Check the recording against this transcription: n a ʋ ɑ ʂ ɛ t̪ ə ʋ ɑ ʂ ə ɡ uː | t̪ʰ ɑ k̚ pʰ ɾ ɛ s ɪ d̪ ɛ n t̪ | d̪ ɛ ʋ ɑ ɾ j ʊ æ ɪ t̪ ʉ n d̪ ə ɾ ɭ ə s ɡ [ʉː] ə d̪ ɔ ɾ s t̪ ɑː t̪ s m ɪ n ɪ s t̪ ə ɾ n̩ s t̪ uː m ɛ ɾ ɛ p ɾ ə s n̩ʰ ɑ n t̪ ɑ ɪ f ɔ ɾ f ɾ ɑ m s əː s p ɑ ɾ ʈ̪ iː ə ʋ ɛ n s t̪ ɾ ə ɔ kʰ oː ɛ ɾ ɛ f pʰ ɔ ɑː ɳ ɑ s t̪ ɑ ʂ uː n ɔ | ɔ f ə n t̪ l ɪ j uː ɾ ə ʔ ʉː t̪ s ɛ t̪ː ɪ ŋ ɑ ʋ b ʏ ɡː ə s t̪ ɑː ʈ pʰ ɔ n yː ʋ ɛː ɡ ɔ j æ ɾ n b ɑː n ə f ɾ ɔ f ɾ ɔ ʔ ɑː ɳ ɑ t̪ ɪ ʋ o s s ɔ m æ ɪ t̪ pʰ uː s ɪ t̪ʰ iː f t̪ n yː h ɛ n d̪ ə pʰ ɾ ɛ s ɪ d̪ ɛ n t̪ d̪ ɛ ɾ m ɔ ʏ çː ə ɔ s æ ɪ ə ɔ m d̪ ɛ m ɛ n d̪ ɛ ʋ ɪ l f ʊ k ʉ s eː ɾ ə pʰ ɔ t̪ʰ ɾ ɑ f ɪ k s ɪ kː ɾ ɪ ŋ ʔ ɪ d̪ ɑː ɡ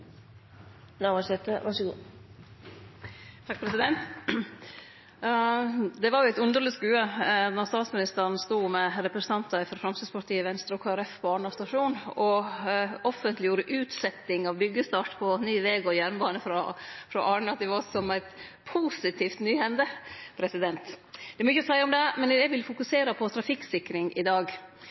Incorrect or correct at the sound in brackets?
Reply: correct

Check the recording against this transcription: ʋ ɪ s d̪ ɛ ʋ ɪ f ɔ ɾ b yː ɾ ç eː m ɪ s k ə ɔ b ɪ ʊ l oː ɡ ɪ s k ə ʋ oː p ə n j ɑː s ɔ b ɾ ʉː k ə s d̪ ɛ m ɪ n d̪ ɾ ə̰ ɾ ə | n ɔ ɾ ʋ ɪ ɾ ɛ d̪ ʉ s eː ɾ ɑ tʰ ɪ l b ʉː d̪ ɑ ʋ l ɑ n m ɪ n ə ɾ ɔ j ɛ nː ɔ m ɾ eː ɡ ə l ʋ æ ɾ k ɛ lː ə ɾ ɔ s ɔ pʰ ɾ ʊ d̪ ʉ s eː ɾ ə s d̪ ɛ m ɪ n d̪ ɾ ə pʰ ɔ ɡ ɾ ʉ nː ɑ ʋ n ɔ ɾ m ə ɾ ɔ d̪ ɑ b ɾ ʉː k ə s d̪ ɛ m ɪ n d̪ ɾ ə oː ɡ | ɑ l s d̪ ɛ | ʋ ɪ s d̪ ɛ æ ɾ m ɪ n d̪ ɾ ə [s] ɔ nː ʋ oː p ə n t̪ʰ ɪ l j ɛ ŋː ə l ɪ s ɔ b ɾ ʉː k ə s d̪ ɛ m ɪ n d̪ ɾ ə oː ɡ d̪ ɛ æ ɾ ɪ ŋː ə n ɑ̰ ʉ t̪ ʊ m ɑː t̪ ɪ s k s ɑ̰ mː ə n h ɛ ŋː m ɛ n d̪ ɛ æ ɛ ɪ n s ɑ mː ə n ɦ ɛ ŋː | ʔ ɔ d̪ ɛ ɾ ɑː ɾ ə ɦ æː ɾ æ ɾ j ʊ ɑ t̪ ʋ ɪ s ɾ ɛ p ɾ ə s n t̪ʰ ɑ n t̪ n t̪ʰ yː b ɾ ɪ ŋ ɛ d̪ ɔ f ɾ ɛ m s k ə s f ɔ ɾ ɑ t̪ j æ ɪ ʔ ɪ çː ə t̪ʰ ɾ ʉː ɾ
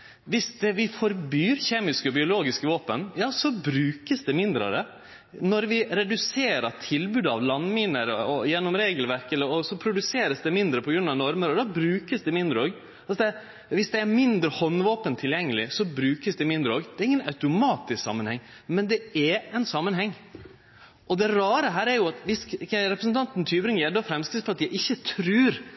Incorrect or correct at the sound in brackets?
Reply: incorrect: h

